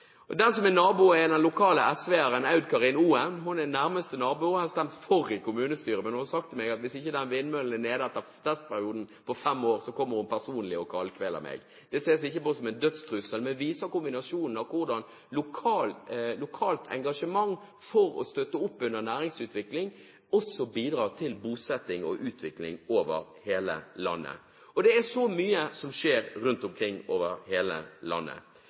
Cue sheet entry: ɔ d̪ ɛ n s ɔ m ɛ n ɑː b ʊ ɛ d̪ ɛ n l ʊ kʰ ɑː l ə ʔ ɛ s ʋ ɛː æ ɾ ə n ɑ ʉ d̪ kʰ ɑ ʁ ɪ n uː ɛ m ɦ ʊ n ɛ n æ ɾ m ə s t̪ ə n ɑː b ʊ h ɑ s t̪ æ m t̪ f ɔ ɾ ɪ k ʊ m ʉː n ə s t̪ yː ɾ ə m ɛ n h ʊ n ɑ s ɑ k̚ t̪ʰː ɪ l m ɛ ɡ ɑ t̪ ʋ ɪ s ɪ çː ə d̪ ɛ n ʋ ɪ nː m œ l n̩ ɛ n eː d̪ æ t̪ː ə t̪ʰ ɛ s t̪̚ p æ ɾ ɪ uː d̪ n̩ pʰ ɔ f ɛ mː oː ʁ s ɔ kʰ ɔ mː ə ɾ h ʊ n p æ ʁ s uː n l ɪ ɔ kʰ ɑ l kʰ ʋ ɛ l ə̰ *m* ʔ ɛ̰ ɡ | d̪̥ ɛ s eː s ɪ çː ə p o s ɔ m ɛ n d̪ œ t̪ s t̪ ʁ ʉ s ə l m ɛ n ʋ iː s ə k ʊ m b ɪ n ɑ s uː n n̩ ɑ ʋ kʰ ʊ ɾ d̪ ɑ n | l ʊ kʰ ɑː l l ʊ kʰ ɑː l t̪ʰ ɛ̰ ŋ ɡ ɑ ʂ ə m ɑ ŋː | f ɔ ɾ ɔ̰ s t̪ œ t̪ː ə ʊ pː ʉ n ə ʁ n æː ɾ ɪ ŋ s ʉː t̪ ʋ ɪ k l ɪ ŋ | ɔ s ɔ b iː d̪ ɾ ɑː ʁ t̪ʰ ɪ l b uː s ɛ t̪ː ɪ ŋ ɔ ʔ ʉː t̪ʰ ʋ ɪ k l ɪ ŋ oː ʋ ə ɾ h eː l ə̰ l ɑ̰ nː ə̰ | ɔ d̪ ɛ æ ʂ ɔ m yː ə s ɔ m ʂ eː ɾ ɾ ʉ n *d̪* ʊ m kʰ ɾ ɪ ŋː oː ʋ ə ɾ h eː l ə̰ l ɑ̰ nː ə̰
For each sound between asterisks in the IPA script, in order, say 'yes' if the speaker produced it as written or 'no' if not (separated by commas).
yes, no